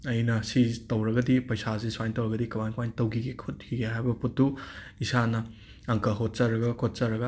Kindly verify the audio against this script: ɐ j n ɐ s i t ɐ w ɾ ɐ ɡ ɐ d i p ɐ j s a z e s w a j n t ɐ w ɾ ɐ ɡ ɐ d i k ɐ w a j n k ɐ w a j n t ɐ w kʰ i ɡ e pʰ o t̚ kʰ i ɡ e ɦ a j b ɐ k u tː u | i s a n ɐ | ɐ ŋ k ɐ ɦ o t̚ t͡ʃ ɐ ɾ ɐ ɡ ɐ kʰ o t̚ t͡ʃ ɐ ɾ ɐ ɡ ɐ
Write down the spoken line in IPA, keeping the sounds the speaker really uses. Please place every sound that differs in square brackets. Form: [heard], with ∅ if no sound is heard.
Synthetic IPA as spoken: ɐ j n ɐ s i t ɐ w ɾ ɐ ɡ ɐ d i p ɐ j s a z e s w a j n t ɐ w ɾ ɐ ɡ ɐ d i k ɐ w a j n k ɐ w a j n t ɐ w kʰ i ɡ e [kʰ] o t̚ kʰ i ɡ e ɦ a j b ɐ [p] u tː u | i s a n ɐ | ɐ ŋ k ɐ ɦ o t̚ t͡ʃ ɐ ɾ ɐ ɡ ɐ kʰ o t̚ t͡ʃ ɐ ɾ ɐ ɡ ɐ